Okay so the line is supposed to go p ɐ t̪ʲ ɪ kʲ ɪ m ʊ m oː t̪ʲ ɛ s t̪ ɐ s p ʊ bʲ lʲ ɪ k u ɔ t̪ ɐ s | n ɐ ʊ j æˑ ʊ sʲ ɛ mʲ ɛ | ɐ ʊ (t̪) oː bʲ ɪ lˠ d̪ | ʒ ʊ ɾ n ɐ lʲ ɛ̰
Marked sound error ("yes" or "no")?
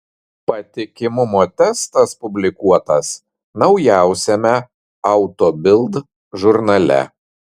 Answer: no